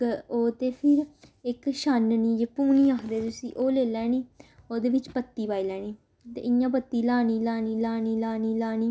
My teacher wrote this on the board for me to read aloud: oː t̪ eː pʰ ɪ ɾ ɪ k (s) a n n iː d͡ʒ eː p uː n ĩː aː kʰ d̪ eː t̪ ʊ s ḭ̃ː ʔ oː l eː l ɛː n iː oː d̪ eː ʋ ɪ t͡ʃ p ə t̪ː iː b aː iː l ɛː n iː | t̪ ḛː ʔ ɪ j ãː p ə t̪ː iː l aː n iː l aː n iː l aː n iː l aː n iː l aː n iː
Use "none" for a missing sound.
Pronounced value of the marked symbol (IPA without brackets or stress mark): ʃ